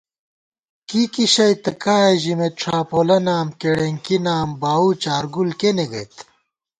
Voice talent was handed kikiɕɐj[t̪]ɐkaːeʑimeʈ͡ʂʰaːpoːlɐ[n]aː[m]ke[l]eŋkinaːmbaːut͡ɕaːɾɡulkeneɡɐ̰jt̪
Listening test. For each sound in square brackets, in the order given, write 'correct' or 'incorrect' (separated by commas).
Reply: correct, correct, correct, incorrect